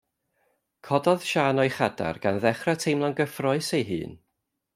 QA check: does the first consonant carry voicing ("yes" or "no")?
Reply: no